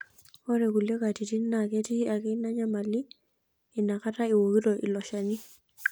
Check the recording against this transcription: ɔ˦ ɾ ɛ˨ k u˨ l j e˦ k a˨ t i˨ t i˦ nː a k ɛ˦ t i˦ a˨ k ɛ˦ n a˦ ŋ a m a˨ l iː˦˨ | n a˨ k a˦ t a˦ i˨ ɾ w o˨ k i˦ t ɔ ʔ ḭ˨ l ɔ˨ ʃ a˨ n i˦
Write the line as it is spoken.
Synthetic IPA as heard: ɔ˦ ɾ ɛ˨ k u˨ l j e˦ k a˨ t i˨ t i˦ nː a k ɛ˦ t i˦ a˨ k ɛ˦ n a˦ ɲ a m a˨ l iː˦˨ | n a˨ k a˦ t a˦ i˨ w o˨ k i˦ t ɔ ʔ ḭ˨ l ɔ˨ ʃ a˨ n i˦